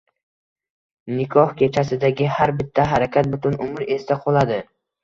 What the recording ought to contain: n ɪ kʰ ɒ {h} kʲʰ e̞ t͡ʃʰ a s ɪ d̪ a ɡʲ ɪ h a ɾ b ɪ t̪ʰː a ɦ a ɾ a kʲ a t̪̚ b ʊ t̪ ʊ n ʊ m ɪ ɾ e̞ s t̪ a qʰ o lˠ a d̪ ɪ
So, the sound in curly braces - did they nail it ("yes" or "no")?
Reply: yes